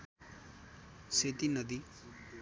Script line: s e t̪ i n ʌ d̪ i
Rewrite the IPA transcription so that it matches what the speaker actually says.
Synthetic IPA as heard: s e t̪ i n ʌ d̪ i